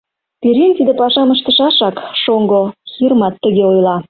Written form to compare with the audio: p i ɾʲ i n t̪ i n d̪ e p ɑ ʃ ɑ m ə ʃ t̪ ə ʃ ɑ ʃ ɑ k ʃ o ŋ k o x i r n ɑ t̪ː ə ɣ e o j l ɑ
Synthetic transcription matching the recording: p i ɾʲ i n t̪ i d̪ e p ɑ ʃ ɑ m ə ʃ t̪ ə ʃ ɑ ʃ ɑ k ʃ o ŋ ɡ o x i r m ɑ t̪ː ə ɣ e o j l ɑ